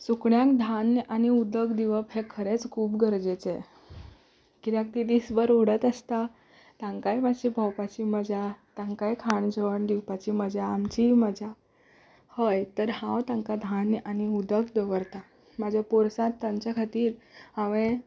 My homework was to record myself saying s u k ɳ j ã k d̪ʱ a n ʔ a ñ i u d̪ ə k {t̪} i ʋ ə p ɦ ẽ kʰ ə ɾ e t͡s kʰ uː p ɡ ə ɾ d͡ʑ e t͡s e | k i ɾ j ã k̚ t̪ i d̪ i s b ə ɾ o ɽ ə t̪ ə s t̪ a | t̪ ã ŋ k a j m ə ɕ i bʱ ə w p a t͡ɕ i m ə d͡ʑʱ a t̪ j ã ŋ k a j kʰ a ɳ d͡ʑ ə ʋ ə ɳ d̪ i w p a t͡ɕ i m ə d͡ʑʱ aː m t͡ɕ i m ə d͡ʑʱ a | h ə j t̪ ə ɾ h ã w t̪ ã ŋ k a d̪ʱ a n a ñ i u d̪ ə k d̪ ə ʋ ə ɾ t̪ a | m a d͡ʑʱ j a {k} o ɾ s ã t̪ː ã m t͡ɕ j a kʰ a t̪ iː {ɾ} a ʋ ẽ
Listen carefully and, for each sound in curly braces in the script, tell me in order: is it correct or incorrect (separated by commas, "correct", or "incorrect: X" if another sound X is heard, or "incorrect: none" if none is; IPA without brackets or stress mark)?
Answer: incorrect: d̪, incorrect: p, correct